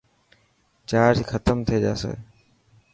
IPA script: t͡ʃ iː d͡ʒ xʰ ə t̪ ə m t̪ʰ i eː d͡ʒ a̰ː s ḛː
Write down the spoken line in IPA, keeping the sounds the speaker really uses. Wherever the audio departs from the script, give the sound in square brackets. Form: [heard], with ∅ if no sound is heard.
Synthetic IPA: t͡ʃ [aː] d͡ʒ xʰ ə t̪ ə m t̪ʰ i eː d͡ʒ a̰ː s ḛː